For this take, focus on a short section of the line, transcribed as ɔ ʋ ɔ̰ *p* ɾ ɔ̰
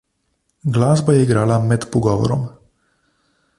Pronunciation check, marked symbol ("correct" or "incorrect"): incorrect